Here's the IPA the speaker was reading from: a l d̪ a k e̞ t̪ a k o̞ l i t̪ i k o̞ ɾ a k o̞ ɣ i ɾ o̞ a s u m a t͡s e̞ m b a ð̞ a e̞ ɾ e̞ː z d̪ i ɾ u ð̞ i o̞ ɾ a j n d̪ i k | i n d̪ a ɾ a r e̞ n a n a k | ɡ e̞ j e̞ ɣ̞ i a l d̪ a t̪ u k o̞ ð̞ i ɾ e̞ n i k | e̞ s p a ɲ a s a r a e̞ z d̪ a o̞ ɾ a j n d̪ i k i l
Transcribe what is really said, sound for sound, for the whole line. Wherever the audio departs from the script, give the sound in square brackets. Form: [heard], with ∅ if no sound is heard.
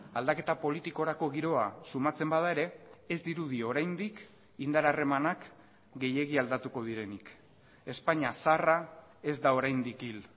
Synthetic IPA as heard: a l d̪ a k e̞ t̪ a [p] o̞ l i t̪ i k o̞ ɾ a k o̞ ɣ i ɾ o̞ a s u m a t͡s e̞ m b a ð̞ a e̞ ɾ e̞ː z d̪ i ɾ u ð̞ i o̞ ɾ a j n d̪ i k | i n d̪ a ɾ a r e̞ [m] a n a k | ɡ e̞ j e̞ ɣ̞ i a l d̪ a t̪ u k o̞ ð̞ i ɾ e̞ n i k | e̞ s p a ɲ a s a r a e̞ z d̪ a o̞ ɾ a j n d̪ i k i l